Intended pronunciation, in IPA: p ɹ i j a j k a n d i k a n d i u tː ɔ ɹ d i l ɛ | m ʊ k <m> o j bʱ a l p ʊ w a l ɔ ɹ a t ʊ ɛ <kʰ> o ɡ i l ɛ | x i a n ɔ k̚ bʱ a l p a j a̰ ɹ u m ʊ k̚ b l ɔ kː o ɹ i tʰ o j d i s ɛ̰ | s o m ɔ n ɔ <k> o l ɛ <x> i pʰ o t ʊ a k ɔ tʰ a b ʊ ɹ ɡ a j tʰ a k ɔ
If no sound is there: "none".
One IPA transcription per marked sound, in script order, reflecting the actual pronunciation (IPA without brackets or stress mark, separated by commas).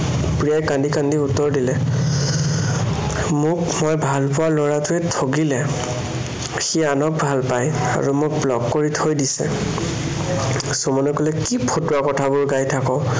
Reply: m, tʰ, k, k